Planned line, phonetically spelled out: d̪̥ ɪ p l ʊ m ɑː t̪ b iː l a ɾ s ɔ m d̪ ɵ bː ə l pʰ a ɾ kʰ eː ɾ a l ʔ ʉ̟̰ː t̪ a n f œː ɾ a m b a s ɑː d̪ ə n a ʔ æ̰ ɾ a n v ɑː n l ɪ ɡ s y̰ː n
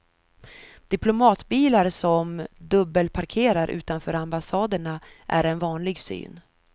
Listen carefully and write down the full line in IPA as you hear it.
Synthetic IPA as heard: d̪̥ ɪ p l ʊ m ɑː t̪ b iː l a ɾ s ɔ m d̪ ɵ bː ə l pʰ a ɾ kʰ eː ɾ a ɾ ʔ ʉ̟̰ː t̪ a n f œː ɾ a m b a s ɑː d̪ ə ɳ a ʔ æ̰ ɾ ɛ n v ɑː n l ɪ ɡ s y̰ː n